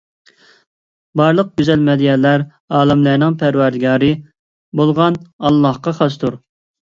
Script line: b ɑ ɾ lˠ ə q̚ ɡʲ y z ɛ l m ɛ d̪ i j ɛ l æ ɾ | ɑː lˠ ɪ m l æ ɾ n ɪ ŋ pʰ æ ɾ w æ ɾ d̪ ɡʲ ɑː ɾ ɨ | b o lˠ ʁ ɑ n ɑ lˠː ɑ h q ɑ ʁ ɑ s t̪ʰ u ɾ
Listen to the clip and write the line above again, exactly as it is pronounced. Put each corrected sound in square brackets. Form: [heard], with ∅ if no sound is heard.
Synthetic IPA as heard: b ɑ ɾ lˠ ə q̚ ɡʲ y z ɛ l m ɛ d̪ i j ɛ l æ ɾ | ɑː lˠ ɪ m l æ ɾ n ɪ ŋ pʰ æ ɾ w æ ɾ d̪ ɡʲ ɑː ɾ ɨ | b o lˠ ʁ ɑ n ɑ lˠː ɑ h q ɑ [χ] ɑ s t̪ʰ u ɾ